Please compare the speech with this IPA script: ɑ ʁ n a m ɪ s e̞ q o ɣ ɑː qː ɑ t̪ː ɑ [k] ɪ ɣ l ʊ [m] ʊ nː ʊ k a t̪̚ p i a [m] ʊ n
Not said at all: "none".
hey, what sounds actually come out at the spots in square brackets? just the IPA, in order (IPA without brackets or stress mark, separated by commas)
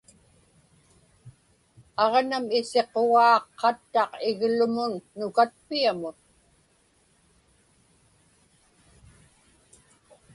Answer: q, m, m